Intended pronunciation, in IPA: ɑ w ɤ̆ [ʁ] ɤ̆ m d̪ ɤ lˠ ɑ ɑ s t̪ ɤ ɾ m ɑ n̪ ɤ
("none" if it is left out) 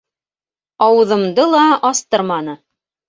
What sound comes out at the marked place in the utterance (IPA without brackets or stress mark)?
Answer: ð